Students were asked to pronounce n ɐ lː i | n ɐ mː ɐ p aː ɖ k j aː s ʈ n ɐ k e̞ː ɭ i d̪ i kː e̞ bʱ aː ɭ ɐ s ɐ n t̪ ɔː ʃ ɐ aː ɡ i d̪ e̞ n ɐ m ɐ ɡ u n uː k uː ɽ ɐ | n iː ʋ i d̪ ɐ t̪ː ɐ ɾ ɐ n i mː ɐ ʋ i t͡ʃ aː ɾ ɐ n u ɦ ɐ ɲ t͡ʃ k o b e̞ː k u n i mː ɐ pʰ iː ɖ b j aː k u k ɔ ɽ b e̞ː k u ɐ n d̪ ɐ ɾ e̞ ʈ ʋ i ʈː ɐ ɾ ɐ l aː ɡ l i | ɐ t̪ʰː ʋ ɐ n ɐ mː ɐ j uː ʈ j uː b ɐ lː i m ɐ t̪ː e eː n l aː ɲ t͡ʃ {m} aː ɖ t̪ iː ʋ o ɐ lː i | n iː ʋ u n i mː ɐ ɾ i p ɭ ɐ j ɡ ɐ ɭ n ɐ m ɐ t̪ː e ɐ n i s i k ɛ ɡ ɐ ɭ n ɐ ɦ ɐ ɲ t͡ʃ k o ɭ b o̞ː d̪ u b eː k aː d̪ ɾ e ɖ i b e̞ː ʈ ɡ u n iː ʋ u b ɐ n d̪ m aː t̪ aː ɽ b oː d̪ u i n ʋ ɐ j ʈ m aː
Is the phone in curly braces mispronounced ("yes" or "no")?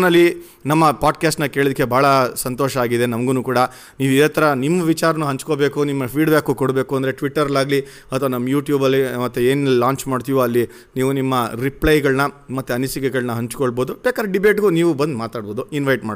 no